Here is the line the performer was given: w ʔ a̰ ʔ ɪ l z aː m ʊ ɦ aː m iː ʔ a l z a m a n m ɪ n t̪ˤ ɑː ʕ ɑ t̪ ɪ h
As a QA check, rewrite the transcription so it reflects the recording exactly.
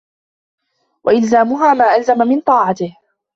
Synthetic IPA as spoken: w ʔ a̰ ʔ ɪ l z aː m ʊ ɦ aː m aː ʔ a l z a m a m ɪ n t̪ˤ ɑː ʕ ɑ t̪ ɪ h